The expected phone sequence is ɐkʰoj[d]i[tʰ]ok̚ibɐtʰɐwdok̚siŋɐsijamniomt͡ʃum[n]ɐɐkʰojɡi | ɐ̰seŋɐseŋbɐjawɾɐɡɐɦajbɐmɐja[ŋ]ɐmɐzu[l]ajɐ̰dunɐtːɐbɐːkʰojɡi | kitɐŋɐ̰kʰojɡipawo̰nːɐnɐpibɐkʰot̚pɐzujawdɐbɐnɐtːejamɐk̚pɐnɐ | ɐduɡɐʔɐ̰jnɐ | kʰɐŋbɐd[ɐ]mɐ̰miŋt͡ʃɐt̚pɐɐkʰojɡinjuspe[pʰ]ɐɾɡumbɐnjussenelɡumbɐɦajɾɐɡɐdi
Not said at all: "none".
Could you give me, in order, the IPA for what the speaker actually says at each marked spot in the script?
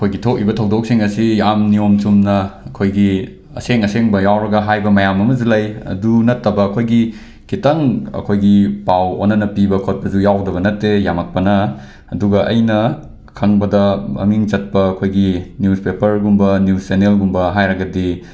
ɡ, tʰ, n, m, l, ɐ, p

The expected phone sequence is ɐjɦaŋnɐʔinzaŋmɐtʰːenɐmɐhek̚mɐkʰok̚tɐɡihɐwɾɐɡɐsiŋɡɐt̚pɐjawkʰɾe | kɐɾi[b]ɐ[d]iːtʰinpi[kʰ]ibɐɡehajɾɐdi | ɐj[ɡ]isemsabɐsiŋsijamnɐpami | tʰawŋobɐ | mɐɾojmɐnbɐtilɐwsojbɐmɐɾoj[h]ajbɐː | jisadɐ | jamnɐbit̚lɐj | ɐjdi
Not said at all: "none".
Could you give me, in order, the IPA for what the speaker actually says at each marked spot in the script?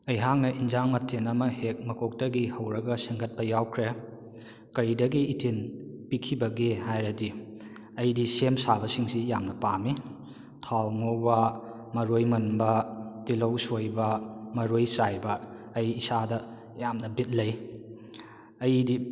d, ɡ, kʰ, d, s

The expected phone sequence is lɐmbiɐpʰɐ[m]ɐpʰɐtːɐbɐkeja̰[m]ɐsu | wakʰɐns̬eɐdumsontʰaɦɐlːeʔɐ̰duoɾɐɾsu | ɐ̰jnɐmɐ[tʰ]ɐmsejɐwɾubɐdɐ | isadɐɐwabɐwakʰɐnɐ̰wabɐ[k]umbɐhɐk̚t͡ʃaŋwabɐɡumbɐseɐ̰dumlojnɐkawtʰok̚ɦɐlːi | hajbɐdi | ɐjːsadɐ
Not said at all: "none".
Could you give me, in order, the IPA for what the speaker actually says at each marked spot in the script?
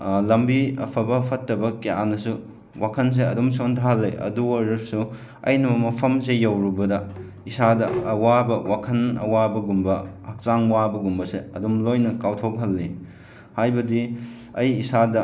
b, n, pʰ, ɡ

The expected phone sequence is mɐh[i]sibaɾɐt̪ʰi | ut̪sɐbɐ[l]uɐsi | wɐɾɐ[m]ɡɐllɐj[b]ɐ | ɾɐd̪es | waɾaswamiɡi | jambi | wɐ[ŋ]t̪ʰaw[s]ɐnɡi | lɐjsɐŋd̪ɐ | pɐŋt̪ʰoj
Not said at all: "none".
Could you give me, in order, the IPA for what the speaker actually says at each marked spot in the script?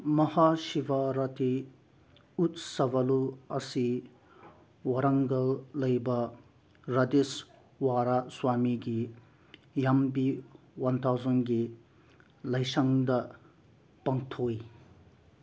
a, l, ŋ, b, n, z

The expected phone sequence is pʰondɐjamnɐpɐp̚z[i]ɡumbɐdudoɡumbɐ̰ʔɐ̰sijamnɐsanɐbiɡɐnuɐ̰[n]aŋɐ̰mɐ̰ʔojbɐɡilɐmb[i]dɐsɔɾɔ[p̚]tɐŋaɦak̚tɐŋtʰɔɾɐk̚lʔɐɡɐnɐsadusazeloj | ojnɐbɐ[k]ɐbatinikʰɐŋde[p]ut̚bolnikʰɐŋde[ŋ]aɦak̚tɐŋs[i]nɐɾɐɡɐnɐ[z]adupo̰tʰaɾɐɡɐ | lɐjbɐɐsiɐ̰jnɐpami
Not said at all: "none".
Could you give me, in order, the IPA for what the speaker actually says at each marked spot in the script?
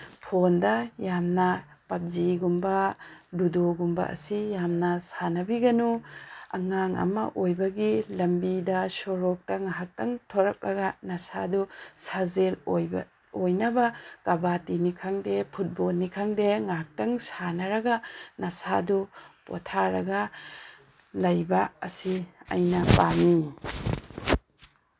i, ŋ, i, k̚, k, pʰ, ŋ, a, s

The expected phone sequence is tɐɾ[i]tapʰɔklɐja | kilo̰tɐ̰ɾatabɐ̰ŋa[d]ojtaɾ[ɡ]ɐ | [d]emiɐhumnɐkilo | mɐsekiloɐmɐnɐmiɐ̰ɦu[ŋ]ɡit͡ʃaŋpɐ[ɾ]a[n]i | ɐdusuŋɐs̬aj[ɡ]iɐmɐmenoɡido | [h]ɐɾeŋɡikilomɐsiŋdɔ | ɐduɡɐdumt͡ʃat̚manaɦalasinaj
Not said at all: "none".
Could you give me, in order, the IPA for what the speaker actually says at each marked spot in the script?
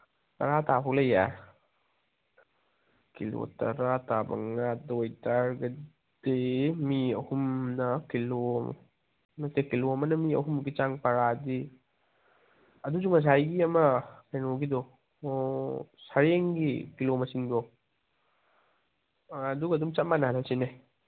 a, d, ɡ, d, m, ɾ, d, ɡ, s

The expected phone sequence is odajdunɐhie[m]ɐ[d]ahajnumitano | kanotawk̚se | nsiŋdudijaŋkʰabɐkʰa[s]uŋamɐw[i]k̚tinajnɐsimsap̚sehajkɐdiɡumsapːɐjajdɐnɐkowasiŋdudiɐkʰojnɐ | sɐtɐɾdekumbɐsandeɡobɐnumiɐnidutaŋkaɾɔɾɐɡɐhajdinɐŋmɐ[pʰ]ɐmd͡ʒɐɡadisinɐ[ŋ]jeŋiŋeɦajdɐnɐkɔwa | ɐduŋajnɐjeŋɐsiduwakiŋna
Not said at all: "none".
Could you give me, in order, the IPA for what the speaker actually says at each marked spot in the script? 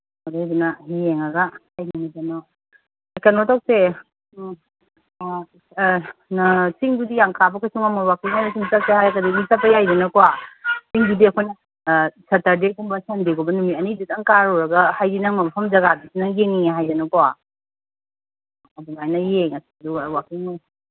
ŋ, ɡ, s, a, pʰ, ŋ

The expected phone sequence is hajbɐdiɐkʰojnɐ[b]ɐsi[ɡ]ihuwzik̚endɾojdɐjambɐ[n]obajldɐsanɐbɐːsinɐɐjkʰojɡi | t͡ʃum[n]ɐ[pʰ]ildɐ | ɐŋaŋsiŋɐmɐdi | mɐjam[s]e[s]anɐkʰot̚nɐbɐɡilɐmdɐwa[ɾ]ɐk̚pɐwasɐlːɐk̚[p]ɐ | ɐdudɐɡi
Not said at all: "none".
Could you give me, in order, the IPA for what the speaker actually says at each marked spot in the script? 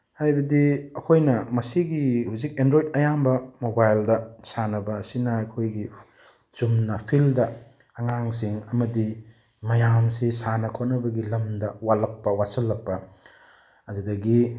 m, ɡ, m, n, pʰ, s, s, l, p

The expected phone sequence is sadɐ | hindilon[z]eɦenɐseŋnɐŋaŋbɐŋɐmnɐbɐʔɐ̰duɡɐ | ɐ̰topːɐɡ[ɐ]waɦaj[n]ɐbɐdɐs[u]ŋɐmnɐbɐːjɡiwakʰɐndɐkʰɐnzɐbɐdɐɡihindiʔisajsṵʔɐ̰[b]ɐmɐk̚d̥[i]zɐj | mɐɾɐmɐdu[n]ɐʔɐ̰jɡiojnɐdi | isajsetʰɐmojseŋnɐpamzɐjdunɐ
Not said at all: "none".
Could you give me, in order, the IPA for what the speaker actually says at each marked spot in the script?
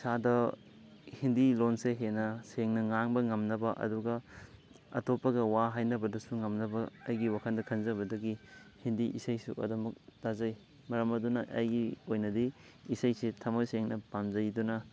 s, ɐ, n, u, d, a, n

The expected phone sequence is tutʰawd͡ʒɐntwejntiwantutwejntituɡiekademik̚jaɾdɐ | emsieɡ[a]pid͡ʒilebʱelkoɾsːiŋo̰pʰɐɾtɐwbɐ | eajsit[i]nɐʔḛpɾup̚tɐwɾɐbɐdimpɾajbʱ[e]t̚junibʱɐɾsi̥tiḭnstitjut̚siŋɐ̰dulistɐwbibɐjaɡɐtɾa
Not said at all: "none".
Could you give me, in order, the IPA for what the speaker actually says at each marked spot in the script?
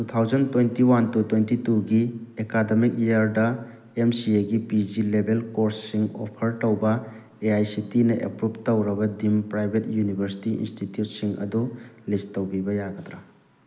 i, i, e

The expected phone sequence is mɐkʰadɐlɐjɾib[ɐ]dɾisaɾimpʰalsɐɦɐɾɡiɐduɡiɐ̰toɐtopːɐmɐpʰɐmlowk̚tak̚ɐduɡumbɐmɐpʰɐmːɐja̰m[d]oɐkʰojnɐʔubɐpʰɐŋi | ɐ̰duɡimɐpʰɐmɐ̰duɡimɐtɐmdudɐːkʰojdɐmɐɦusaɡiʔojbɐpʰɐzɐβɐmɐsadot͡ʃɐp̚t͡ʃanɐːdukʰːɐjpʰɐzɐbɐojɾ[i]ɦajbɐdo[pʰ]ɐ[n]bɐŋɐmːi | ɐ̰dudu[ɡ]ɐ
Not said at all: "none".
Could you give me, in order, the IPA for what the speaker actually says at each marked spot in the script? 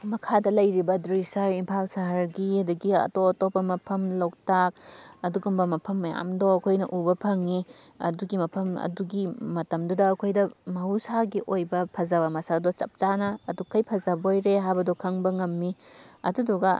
ɐ, d, e, kʰ, ŋ, ɡ

